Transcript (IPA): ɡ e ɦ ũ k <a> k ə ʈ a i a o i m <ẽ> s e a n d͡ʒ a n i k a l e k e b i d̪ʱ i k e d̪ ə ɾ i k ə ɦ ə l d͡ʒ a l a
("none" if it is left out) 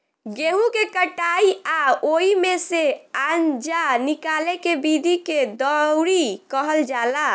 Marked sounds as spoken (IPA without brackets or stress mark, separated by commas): e, e